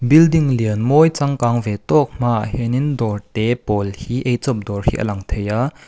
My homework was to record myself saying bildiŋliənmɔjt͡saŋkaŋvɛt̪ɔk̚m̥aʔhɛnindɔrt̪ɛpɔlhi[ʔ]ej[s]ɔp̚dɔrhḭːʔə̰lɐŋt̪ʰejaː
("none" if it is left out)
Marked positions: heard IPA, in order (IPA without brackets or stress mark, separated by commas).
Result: ʔ, t͡s